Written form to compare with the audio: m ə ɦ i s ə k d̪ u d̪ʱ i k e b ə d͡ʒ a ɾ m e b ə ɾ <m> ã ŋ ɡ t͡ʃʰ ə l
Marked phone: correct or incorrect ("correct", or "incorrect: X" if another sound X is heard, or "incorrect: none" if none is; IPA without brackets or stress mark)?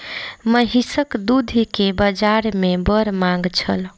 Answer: correct